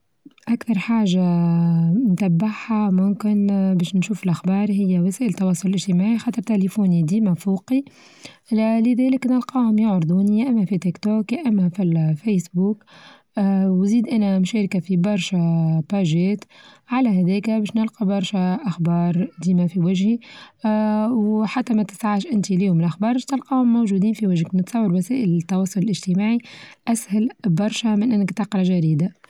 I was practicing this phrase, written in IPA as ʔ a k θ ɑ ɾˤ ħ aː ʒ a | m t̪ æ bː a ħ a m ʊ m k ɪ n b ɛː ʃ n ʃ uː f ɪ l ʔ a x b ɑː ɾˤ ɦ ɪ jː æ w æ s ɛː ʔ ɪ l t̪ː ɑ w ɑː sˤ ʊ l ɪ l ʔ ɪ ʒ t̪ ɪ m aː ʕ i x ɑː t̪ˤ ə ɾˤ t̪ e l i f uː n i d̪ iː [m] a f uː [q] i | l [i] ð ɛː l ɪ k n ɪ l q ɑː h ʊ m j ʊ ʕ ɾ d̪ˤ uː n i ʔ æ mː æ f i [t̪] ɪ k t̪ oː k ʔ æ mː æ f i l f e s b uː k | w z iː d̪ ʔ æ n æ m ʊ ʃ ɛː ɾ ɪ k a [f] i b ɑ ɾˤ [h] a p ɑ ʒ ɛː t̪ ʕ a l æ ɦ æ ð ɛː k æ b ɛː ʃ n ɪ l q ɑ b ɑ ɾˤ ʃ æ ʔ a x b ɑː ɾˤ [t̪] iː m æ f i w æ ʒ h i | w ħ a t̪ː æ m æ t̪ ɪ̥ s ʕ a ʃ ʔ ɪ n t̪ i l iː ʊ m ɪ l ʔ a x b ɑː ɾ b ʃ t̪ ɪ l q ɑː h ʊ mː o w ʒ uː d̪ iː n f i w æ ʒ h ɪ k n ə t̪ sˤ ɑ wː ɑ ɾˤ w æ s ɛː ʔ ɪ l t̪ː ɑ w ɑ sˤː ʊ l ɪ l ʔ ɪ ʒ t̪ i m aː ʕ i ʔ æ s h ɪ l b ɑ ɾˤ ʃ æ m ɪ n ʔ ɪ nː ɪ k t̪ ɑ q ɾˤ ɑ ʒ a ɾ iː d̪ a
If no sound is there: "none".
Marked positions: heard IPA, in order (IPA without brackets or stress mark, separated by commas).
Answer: m, q, ɪ, t̪, f, ʃ, d̪